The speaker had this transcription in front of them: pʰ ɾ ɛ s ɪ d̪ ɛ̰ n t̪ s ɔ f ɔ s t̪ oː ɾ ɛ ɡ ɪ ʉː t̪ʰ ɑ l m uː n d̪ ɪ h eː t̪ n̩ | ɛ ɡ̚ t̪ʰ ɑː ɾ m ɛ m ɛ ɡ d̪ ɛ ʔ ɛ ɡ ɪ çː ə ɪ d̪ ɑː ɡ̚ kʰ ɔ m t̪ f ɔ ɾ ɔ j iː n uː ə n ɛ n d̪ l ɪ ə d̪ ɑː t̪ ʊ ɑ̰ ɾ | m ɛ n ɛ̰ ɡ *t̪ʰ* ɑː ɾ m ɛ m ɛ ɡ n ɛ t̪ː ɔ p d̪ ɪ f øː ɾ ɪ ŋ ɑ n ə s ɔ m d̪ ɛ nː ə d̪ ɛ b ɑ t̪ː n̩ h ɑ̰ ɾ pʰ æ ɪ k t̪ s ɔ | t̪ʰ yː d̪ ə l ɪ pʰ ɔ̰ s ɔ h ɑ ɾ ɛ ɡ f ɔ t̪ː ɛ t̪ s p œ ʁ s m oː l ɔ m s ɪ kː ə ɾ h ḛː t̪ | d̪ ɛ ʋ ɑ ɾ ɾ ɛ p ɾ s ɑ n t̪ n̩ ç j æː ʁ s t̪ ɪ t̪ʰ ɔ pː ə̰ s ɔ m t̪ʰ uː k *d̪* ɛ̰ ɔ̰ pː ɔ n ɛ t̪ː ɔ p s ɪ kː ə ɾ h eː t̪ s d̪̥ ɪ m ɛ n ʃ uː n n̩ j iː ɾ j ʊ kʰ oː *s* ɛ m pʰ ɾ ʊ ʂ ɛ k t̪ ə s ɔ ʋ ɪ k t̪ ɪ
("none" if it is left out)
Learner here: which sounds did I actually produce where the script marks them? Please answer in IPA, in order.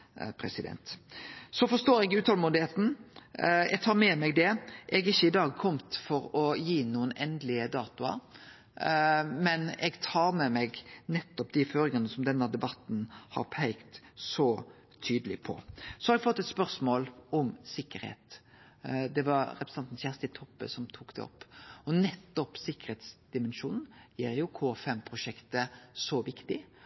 t̪ʰ, d̪, f

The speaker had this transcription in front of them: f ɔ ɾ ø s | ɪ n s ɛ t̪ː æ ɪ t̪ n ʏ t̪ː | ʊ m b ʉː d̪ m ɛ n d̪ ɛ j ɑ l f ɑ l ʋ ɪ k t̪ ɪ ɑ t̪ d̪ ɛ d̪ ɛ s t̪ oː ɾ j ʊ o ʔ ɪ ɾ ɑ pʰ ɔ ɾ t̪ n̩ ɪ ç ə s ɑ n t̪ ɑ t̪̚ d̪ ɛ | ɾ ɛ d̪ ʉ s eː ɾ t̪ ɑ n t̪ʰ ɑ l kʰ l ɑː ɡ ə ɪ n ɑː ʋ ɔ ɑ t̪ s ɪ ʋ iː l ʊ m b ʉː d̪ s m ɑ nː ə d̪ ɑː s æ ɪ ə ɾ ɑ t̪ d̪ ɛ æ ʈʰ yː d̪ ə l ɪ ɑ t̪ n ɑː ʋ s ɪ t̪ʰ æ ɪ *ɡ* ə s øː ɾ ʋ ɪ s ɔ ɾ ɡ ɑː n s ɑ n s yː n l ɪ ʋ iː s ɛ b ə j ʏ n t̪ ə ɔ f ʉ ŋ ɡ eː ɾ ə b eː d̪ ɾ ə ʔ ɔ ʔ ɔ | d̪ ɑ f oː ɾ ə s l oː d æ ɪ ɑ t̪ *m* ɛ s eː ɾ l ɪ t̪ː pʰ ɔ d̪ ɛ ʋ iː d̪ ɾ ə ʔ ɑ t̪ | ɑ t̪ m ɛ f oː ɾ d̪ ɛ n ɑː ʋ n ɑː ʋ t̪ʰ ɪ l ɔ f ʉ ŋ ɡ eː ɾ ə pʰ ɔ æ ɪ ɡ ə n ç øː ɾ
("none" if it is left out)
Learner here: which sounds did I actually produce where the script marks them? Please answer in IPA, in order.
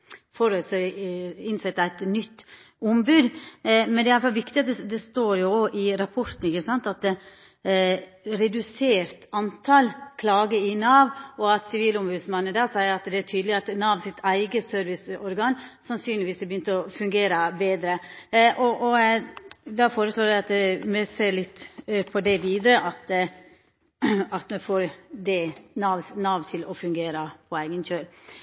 ɡ, m

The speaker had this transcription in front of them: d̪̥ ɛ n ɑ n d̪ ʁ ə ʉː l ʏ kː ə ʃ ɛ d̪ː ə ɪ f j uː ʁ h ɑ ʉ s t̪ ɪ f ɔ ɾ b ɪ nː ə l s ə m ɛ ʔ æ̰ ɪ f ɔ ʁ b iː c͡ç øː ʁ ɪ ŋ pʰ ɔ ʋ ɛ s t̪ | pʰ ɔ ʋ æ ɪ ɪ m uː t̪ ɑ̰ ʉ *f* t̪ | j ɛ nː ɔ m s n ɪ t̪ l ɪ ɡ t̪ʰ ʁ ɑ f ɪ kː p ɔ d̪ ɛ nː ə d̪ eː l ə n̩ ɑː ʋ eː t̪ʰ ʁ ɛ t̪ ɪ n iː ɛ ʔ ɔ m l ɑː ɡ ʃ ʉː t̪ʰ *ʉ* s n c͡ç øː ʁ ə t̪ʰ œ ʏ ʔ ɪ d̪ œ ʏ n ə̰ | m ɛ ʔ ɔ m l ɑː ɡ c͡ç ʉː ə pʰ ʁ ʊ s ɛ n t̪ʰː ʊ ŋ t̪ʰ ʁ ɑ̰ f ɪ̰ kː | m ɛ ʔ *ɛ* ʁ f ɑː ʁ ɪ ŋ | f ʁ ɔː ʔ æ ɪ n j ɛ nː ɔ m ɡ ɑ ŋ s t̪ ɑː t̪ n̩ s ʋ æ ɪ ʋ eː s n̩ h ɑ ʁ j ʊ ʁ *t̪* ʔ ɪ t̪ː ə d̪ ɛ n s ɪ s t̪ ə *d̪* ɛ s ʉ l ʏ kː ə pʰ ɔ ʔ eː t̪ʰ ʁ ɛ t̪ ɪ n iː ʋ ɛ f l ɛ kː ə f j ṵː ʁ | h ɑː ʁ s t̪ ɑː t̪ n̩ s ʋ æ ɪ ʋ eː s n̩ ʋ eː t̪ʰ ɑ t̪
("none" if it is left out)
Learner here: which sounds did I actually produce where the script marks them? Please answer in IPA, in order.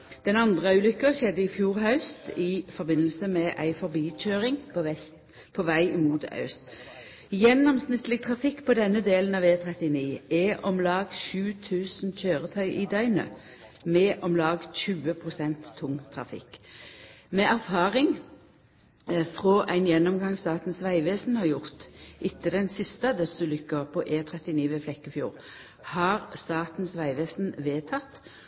s, ʉː, æ, t̪, d̪

